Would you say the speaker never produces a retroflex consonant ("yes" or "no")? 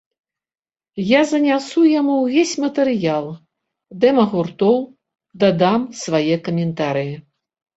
yes